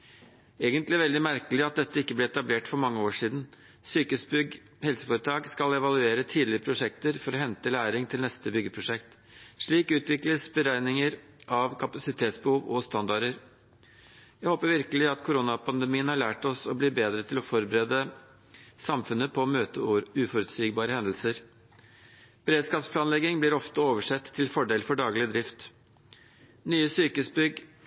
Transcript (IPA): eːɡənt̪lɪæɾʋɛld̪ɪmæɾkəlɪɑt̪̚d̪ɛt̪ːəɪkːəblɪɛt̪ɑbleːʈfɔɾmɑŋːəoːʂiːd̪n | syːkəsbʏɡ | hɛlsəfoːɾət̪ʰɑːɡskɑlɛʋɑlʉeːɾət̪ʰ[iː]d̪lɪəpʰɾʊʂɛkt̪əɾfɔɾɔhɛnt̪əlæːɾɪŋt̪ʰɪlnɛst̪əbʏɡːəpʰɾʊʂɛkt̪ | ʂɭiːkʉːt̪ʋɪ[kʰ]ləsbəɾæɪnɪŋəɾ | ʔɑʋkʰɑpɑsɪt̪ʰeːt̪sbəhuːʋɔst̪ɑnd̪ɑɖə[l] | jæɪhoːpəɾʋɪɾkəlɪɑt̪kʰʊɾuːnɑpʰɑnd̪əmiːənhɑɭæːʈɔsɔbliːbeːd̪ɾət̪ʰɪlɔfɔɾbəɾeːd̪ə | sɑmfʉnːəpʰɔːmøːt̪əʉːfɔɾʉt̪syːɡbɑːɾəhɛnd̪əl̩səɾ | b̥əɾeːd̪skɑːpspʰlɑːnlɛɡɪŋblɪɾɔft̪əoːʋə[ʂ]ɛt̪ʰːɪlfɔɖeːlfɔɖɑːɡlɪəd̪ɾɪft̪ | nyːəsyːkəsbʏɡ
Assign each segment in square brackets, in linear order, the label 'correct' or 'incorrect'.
correct, incorrect: k, incorrect: ɾ, correct

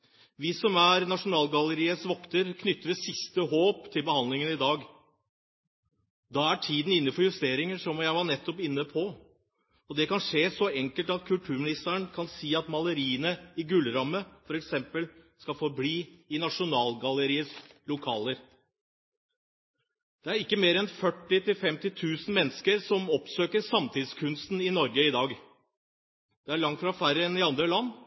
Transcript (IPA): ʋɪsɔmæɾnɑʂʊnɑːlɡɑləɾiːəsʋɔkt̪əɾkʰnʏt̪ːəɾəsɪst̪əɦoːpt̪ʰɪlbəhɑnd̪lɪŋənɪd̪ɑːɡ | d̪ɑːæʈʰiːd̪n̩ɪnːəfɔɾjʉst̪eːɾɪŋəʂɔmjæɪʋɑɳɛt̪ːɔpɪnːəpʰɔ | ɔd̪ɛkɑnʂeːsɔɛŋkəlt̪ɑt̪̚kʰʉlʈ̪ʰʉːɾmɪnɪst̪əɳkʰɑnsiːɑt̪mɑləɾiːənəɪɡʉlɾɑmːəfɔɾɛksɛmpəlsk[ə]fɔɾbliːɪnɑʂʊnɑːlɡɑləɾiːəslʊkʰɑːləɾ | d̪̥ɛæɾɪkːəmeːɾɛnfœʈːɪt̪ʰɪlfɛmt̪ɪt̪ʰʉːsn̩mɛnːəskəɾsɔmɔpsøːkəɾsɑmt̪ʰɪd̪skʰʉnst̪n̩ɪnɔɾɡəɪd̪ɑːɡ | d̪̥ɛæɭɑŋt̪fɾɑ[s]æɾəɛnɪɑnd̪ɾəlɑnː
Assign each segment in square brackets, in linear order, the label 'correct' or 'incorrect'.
incorrect: ɑ, incorrect: f

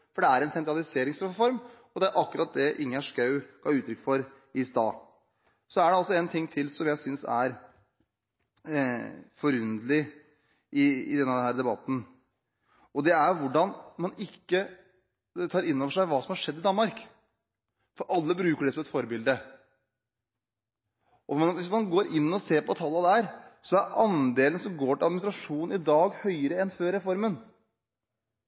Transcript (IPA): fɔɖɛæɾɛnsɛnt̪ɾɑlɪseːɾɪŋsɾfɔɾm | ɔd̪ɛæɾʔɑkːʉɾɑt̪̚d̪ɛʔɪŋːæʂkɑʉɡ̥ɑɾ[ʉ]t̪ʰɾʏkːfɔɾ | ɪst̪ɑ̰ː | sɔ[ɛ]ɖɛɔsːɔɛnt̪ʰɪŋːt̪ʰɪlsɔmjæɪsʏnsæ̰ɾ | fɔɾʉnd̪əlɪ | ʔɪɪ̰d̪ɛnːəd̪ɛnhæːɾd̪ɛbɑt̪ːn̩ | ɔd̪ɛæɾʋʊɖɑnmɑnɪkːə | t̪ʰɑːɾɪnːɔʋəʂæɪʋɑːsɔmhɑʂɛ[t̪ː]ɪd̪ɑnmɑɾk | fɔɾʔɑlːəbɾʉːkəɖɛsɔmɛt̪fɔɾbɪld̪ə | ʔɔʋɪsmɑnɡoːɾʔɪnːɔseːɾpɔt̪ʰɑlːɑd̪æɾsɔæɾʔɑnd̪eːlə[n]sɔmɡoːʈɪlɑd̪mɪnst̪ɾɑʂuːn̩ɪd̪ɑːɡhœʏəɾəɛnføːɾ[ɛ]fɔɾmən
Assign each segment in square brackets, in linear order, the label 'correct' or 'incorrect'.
incorrect: ʉː, incorrect: æ, incorrect: d̪ː, correct, correct

